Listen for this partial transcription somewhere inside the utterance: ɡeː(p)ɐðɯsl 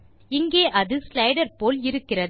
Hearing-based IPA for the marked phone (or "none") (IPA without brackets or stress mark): ʔ